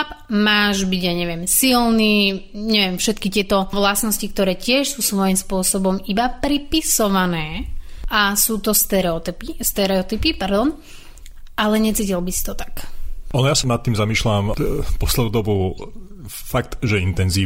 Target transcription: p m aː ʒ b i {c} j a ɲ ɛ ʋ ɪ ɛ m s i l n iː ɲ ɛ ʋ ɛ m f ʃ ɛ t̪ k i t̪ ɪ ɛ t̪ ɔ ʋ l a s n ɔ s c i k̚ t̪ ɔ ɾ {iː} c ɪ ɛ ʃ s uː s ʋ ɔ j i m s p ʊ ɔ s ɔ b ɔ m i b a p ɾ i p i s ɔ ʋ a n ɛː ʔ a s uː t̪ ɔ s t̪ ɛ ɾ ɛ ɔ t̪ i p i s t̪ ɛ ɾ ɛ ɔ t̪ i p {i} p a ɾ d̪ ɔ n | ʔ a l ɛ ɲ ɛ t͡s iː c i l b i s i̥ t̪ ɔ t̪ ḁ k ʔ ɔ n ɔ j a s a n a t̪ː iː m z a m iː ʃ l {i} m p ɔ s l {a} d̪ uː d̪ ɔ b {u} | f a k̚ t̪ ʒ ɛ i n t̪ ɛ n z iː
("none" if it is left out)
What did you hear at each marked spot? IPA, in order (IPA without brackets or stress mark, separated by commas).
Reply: ɟ, ɛː, i, a, ɛ, u